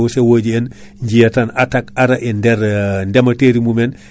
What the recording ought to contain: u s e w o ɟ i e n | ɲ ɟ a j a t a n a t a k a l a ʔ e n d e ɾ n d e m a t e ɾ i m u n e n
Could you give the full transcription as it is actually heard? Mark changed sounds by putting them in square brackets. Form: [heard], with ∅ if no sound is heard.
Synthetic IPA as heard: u s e w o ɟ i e n | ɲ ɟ [i] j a t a n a t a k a [ɾ] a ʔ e n d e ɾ n d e m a t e ɾ i m u [m] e n